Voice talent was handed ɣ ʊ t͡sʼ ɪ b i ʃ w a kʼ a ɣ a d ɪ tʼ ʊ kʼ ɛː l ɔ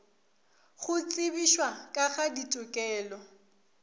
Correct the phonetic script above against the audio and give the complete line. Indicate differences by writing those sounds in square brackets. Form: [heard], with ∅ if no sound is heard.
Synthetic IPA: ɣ ʊ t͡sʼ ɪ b i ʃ w a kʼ a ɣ a d [i] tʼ ʊ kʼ ɛː l ɔ